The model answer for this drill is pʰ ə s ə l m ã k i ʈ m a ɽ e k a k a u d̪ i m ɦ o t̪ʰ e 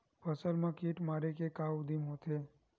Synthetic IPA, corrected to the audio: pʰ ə s ə l m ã k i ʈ m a ɾ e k e k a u d̪ i m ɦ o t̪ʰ e